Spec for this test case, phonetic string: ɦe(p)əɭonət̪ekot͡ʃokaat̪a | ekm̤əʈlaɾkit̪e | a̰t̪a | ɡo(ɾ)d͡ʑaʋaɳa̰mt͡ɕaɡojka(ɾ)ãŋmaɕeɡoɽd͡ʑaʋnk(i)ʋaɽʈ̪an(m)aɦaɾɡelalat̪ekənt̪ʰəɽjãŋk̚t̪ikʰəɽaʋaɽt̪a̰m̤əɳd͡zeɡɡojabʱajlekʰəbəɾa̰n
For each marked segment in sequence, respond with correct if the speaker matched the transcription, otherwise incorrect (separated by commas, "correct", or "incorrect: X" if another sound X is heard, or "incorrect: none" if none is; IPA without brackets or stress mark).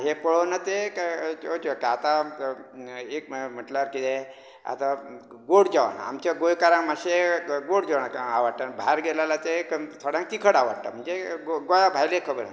correct, incorrect: ɽ, correct, incorrect: a, incorrect: b